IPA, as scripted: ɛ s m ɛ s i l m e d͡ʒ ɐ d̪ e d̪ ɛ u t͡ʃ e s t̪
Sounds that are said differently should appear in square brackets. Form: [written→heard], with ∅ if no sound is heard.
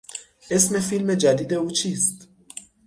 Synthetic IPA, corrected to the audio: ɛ s m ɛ [s→f] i l m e d͡ʒ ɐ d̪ [e→i] d̪ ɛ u t͡ʃ [e→i] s t̪